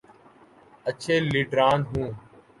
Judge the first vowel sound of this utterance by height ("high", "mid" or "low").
mid